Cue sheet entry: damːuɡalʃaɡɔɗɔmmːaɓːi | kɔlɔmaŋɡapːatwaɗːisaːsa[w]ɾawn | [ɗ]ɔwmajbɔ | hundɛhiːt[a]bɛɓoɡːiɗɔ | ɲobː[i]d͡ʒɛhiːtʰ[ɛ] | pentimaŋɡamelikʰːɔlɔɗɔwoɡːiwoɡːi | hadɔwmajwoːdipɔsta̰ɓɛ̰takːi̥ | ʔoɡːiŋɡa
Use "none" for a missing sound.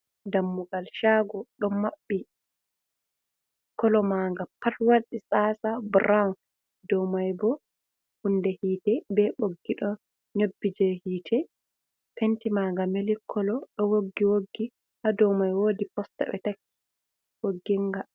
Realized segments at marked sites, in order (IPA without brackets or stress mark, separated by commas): b, d, ɛ, i, ɛ